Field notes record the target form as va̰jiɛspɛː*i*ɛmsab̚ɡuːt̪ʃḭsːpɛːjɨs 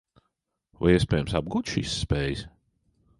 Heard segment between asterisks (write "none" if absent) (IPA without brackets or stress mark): j